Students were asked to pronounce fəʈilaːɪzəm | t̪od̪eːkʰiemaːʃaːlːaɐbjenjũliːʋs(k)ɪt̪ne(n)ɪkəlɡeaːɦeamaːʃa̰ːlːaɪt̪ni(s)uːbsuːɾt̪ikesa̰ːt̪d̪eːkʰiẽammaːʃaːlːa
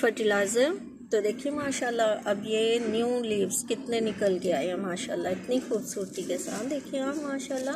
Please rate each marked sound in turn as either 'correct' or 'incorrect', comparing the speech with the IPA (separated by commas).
correct, correct, incorrect